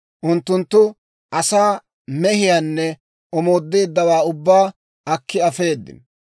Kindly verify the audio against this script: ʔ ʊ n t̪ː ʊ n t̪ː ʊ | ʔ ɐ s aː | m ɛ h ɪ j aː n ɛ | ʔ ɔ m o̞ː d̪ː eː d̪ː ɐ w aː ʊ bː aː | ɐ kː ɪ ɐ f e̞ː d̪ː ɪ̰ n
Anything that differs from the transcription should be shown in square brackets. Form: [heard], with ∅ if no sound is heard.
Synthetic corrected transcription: ʔ ʊ n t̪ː ʊ n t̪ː ʊ | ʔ ɐ s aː | m ɛ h ɪ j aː [nː] ɛ | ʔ ɔ m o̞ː d̪ː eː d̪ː ɐ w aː ʊ bː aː | ɐ kː ɪ ɐ f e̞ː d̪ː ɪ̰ n